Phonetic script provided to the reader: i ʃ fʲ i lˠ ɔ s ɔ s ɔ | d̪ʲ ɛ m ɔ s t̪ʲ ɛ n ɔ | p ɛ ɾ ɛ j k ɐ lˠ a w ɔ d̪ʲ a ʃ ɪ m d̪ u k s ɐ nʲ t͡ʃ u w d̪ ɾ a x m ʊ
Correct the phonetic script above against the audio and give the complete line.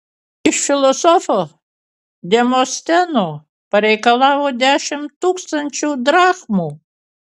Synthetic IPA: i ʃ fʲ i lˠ ɔ s ɔ f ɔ | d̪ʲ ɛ m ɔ s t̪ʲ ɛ n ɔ | p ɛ ɾ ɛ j k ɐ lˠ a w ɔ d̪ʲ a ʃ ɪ m t̪ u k s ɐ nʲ t͡ʃ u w d̪ ɾ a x m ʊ